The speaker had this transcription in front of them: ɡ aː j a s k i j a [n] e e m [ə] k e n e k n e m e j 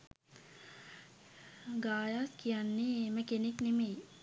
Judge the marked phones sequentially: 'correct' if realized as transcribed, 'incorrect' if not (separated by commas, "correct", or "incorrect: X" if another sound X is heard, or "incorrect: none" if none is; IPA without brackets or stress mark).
incorrect: nː, correct